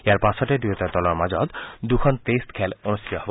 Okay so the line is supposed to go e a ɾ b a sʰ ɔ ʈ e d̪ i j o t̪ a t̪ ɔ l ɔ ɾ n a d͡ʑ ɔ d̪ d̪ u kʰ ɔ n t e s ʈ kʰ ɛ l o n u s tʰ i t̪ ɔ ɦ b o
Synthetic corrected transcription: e a ɾ p a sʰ ɔ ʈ e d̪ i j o t̪ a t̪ ɔ l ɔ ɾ m a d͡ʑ ɔ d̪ d̪ u kʰ ɔ n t e s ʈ kʰ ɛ l o n u s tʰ i t̪ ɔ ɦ b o